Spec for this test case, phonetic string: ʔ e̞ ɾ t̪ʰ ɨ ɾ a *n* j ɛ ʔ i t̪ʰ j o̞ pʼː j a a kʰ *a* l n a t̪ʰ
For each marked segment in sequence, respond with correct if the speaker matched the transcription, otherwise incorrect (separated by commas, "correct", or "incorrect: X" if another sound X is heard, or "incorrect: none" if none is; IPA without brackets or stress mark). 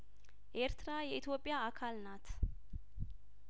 incorrect: none, correct